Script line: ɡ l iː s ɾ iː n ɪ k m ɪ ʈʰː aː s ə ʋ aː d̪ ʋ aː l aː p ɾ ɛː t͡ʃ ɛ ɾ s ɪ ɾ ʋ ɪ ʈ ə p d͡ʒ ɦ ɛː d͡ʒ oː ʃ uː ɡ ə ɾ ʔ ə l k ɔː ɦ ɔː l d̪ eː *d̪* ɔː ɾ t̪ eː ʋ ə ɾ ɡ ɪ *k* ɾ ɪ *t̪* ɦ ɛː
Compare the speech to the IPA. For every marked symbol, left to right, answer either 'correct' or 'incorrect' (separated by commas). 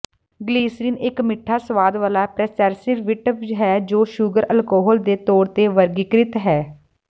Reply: incorrect, correct, correct